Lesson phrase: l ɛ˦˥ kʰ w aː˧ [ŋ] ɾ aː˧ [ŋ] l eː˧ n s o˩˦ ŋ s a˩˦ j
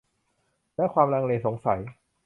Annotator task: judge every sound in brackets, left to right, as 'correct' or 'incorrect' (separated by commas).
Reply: incorrect, correct